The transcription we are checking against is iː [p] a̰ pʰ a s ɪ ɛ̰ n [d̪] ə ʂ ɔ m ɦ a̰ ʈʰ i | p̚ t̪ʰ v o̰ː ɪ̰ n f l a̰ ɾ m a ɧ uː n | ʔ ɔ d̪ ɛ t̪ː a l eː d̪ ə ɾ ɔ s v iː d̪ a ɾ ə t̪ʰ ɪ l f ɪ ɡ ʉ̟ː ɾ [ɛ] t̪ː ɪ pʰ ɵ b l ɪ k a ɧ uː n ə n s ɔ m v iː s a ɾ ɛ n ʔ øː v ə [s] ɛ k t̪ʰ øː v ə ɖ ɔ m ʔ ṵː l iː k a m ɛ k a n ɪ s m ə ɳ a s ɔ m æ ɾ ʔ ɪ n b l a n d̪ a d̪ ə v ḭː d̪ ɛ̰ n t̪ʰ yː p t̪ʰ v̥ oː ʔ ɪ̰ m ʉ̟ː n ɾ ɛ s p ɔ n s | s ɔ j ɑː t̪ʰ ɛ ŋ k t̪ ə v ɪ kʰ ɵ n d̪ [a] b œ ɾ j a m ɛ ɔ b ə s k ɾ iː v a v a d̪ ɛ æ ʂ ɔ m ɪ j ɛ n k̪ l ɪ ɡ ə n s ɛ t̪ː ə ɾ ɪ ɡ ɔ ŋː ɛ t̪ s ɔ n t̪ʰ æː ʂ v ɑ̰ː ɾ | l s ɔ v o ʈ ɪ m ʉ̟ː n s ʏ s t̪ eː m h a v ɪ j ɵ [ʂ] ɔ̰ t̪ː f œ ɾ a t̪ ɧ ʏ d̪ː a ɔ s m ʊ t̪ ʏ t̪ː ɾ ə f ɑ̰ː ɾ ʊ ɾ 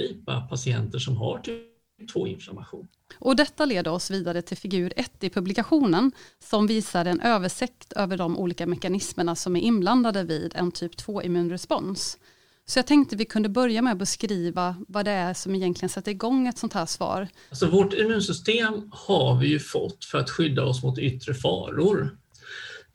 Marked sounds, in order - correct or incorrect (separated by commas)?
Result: correct, incorrect, correct, incorrect, incorrect, incorrect